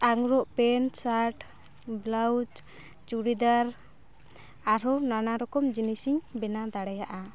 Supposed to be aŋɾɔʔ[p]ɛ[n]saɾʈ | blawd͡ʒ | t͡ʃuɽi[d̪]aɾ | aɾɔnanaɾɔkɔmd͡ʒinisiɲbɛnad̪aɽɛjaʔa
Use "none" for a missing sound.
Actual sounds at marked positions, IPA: p, n, d̪

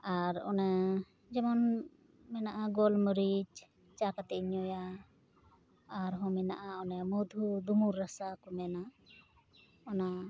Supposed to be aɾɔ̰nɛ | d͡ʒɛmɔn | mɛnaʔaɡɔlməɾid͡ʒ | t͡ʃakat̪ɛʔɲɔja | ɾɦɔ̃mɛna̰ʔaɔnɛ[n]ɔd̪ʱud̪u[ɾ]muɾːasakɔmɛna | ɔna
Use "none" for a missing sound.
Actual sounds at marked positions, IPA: m, none

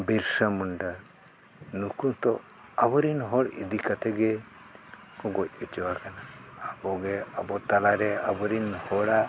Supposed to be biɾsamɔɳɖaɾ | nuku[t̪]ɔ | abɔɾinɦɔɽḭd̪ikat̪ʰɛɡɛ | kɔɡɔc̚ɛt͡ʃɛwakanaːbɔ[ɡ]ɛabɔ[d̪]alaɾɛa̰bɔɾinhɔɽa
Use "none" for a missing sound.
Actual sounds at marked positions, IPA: t̪, ɡ, t̪

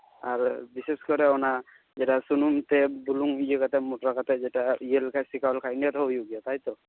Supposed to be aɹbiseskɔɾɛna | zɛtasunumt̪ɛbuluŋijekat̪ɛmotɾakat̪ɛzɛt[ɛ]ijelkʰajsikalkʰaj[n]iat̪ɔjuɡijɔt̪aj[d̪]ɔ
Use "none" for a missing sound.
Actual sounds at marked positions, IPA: a, n, t̪

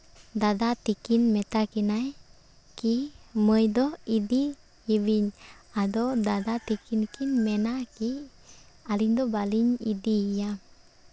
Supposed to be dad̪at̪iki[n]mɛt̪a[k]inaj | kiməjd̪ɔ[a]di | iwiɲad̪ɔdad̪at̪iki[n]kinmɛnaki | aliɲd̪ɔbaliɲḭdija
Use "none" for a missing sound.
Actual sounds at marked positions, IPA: n, k, i, n

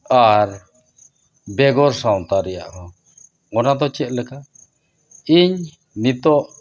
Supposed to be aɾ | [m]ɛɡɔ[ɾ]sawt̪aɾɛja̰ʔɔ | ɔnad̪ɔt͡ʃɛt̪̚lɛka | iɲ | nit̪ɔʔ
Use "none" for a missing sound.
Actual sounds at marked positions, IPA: b, ɾ

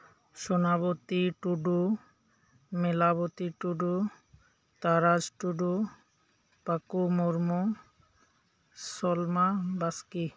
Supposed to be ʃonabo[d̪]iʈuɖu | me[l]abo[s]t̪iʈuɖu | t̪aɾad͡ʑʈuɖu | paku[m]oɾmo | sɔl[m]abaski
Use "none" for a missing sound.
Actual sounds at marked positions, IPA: t̪, l, none, m, m

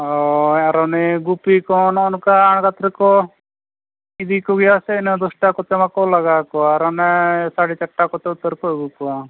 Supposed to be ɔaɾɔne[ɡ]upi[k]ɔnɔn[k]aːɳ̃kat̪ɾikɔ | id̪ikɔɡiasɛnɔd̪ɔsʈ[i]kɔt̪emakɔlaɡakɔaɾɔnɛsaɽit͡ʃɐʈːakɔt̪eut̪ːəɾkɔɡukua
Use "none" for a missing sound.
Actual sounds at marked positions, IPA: ɡ, k, k, a

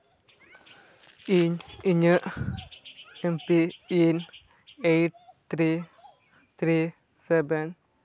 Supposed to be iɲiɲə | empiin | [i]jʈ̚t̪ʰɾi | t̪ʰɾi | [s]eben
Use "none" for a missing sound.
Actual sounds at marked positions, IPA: e, s

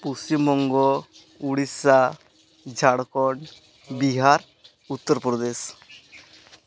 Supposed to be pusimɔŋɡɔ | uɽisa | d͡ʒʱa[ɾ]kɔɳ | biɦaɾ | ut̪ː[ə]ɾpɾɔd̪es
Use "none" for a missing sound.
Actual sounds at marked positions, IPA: ɽ, ə

